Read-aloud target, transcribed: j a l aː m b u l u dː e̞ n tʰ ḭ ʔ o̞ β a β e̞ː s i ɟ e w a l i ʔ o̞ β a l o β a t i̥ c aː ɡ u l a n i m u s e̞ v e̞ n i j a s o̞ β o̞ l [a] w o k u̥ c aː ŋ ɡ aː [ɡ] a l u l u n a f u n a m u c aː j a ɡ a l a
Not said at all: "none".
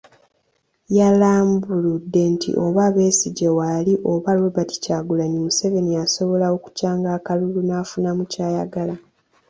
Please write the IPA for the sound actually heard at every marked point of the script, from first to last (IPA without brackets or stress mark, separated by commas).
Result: a, k